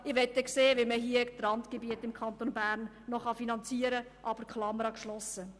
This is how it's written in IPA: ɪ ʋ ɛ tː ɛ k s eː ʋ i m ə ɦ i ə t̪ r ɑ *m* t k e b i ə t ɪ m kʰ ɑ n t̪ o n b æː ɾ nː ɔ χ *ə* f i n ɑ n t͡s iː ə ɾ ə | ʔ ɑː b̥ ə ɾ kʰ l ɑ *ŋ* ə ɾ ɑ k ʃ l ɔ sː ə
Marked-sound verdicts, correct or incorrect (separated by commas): incorrect, incorrect, incorrect